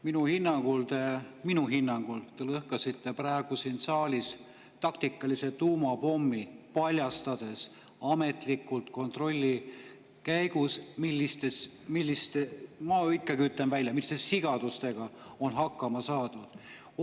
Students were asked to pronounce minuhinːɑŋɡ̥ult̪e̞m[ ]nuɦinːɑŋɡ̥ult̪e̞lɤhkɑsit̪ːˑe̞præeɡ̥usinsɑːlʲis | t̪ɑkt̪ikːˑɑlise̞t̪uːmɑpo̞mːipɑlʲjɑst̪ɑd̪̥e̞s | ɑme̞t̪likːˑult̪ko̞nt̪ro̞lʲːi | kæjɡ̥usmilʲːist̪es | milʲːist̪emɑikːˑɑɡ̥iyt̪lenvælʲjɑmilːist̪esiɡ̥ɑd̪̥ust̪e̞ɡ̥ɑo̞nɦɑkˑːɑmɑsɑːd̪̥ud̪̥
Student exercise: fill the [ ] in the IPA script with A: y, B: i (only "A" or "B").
B